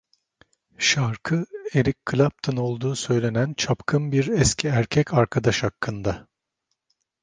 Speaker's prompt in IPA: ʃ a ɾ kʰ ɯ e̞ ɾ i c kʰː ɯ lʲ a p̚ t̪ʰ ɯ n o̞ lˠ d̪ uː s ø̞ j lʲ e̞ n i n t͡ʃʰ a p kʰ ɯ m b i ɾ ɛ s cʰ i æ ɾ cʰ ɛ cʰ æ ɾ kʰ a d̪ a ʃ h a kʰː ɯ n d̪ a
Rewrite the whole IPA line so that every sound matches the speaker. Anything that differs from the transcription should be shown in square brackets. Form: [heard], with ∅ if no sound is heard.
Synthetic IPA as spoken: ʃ a ɾ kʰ ɯ e̞ ɾ i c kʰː ɯ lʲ a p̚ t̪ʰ ɯ n o̞ lˠ d̪ uː s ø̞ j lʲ e̞ n [æ] n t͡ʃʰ a p kʰ ɯ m b i ɾ ɛ s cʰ i æ ɾ cʰ ɛ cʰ [a] ɾ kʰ a d̪ a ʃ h a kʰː ɯ n d̪ a